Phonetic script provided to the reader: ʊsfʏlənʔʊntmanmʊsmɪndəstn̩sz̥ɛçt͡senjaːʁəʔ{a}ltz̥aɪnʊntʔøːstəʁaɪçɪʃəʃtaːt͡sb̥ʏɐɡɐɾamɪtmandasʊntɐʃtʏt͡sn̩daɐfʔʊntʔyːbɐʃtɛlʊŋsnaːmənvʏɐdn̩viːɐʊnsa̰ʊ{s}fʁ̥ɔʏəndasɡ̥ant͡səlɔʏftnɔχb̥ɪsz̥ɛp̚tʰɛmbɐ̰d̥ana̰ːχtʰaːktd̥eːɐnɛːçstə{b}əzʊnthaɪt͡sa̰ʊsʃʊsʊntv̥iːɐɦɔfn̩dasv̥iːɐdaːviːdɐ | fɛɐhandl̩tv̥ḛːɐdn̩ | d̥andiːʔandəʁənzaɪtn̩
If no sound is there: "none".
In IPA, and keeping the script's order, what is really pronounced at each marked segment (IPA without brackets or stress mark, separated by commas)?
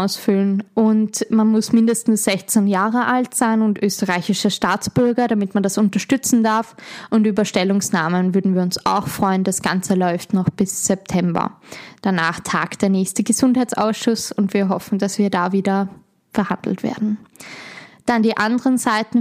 a, x, ɡ